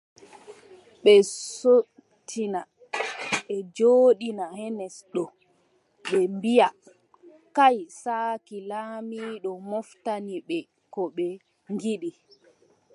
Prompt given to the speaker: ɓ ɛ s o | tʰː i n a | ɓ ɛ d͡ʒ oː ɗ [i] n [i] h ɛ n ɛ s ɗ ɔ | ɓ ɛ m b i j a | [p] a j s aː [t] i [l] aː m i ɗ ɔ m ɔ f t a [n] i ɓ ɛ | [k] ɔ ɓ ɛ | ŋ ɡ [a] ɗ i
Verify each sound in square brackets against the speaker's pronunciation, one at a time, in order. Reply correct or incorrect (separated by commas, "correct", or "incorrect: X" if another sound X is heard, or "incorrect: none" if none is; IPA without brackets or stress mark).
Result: correct, incorrect: a, incorrect: k, incorrect: k, correct, correct, correct, incorrect: i